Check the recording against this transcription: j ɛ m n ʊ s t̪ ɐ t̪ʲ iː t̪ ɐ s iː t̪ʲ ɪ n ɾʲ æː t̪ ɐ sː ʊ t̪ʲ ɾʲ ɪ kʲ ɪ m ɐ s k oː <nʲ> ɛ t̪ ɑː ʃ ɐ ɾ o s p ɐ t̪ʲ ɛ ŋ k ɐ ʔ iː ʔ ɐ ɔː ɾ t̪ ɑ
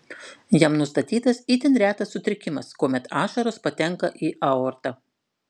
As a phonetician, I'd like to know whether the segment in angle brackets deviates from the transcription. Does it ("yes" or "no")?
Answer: yes